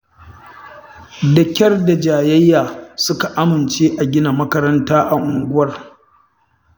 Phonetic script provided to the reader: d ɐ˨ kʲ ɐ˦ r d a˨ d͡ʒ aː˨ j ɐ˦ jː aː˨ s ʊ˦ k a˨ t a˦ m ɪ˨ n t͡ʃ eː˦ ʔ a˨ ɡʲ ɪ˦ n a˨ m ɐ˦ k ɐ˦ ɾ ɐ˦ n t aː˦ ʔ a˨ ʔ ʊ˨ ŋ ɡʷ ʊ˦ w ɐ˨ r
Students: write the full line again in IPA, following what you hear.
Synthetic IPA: d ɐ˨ kʲ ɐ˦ r d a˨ d͡ʒ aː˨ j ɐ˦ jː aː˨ s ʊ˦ k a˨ ʔ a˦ m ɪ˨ n t͡ʃ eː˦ ʔ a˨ ɡʲ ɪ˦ n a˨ m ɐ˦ k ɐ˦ ɾ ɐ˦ n t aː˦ ʔ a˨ ʔ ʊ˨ ŋ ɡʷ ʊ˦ w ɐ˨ r